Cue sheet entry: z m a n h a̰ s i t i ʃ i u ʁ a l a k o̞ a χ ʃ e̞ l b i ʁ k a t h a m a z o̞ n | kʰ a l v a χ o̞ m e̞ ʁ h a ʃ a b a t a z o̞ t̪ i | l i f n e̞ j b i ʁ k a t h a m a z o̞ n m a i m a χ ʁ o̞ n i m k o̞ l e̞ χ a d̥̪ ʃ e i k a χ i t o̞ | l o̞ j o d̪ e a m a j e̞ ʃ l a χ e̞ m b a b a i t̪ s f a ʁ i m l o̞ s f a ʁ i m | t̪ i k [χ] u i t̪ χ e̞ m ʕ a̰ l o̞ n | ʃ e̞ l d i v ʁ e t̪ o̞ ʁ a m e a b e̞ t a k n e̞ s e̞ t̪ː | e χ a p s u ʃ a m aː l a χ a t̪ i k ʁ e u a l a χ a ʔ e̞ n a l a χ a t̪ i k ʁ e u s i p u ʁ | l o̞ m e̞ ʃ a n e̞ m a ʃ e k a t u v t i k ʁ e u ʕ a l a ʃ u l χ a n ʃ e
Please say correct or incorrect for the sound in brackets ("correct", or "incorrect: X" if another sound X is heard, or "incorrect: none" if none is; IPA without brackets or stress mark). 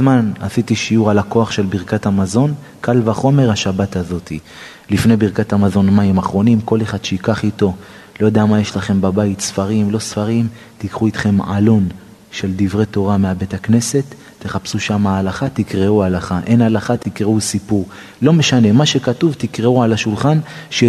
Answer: correct